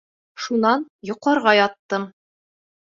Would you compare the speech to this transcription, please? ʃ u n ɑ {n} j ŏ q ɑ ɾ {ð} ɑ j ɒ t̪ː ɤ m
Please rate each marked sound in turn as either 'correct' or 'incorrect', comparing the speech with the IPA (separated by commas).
correct, incorrect